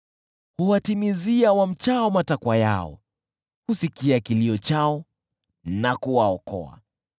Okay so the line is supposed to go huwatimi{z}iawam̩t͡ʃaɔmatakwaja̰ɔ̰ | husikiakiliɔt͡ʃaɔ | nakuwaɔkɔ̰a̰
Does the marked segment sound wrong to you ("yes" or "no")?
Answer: no